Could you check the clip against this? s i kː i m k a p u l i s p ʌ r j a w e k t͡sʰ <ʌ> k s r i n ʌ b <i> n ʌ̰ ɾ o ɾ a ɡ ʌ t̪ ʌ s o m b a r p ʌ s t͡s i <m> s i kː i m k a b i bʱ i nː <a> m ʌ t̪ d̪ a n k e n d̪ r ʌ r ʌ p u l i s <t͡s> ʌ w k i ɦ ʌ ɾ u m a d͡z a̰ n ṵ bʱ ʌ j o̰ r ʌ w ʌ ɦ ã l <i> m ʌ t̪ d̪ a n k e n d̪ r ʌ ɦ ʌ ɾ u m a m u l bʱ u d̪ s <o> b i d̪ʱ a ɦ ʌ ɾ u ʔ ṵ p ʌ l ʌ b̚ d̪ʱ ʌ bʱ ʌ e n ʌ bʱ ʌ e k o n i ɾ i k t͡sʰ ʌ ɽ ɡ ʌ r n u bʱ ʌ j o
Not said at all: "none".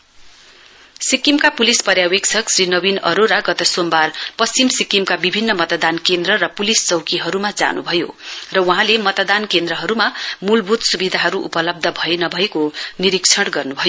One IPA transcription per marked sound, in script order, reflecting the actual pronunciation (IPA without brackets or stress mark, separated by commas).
ʌ, i, m, ʌ, t͡s, e, u